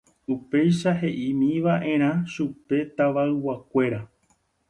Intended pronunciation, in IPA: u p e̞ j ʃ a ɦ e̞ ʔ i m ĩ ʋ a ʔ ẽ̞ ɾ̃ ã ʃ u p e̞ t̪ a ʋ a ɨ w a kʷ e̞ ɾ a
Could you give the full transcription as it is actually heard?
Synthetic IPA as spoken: u p e̞ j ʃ a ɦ e̞ ʔ i m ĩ ʋ a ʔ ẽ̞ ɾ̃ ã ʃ u p e̞ t̪ a ʋ a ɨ w a kʷ e̞ ɾ a

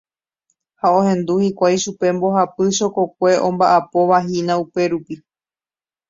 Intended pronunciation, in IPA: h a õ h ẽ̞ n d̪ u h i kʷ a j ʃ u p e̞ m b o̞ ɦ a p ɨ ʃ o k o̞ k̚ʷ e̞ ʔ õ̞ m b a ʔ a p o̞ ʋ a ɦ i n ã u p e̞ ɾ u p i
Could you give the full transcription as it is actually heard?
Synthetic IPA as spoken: h a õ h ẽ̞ n d̪ u h i kʷ a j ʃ u p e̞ m b o̞ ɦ a p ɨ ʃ o k o̞ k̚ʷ e̞ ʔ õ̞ m b a ʔ a p o̞ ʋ a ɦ i n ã u p e̞ ɾ u p i

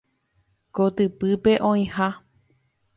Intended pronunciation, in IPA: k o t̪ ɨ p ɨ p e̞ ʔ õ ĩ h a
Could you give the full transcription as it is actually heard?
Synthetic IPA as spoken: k o t̪ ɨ p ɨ p e̞ ʔ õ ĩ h a

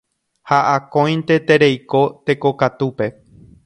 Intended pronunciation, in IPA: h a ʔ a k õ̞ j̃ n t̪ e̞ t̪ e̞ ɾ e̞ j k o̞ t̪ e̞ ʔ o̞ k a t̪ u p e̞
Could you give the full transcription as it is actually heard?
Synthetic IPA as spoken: h a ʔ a k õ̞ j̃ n t̪ e̞ t̪ e̞ ɾ e̞ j k o̞ t̪ e̞ k o̞ k a t̪ u p e̞

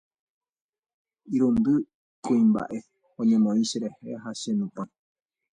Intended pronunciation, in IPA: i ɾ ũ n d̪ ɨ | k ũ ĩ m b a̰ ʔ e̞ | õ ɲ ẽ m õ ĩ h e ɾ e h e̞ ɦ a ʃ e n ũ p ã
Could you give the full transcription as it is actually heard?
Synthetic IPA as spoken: i ɾ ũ n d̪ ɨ | k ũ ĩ m b a̰ ʔ e̞ | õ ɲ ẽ m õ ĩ ʃ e ɾ e h e̞ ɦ a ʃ e n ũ p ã

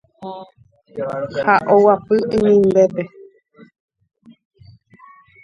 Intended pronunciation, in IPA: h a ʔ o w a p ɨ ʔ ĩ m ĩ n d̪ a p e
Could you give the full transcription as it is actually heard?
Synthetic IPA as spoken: h a ʔ o w a p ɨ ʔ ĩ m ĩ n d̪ e p e

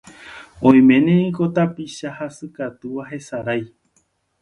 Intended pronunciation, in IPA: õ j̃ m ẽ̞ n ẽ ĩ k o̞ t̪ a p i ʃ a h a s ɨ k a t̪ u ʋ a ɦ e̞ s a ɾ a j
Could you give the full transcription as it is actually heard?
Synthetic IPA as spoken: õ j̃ m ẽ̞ n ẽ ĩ k o̞ t̪ a p i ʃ a h a s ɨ k a t̪ u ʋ a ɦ e̞ s a ɾ a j

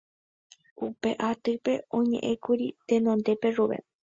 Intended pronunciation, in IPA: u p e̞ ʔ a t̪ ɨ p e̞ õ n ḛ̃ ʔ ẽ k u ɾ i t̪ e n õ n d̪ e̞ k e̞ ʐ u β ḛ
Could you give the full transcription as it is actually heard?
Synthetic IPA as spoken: u p e̞ ʔ a t̪ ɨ p e̞ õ ɲ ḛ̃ ʔ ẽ k u ɾ i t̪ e n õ n d̪ e̞ p e̞ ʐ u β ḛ

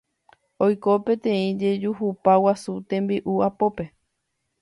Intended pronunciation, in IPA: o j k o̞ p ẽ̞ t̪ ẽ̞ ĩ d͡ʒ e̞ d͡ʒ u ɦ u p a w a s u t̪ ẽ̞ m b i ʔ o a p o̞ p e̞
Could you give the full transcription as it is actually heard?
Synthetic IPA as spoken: o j k o̞ p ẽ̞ t̪ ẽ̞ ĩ d͡ʒ e̞ d͡ʒ u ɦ u p a w a s u t̪ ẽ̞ m b i ʔ u a p o̞ p e̞

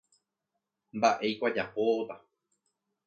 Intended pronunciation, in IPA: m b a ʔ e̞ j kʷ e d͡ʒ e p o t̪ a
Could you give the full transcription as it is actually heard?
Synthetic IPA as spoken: m b a ʔ e̞ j kʷ a d͡ʒ a p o t̪ a

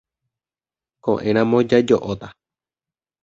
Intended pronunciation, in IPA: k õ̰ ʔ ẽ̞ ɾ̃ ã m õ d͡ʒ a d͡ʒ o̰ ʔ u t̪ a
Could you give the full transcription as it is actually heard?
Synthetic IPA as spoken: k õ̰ ʔ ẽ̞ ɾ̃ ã m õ d͡ʒ a d͡ʒ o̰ ʔ o t̪ a

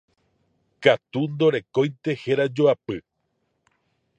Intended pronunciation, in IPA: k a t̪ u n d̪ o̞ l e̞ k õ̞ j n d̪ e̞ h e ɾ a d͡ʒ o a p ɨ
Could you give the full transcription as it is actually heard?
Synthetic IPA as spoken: k a t̪ u n d̪ o̞ ɾ e̞ k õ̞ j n t̪ e̞ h e ɾ a d͡ʒ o a p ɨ

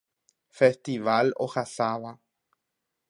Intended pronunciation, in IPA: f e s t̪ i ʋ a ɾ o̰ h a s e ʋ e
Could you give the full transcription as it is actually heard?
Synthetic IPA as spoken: f e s t̪ i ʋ a l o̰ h a s a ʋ a

